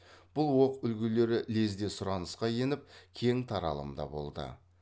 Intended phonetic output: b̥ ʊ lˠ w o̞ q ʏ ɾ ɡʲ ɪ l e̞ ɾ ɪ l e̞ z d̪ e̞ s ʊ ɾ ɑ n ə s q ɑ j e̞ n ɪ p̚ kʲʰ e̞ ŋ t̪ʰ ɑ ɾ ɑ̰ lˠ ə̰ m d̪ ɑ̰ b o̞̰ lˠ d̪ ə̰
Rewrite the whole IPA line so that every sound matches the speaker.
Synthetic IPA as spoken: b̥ ʊ lˠ w o̞ q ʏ l ɡʲ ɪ l e̞ ɾ ɪ l e̞ z d̪ e̞ s ʊ ɾ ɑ n ə s q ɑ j e̞ n ɪ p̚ kʲʰ e̞ ŋ t̪ʰ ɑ ɾ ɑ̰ lˠ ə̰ m d̪ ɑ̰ b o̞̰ lˠ d̪ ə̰